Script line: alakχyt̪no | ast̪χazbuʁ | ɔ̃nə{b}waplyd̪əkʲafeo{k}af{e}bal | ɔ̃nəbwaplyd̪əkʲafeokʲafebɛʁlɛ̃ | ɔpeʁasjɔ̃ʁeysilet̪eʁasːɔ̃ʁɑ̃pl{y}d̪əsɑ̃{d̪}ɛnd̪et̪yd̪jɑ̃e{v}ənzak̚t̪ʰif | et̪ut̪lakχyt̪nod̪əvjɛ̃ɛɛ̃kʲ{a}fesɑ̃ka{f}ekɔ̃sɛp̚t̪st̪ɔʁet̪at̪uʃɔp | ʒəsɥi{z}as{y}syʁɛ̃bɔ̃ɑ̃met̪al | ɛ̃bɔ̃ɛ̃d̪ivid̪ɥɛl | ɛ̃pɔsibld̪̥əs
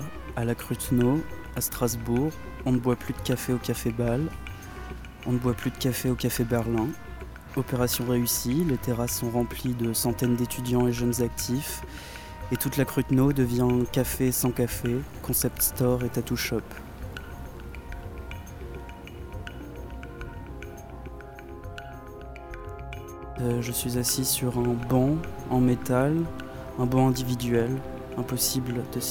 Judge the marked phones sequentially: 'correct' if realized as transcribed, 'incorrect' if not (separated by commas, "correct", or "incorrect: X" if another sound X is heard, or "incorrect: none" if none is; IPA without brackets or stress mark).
correct, correct, correct, incorrect: i, incorrect: t̪, incorrect: ʒ, correct, correct, correct, incorrect: i